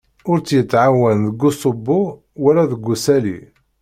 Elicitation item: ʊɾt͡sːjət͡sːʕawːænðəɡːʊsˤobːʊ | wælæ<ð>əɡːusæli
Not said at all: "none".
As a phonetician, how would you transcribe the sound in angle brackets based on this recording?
ð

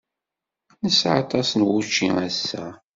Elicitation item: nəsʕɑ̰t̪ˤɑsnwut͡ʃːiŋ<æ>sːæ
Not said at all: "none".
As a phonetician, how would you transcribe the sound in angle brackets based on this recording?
æ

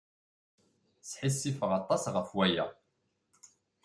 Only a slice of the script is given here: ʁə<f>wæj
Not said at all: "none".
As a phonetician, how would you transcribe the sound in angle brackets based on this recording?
f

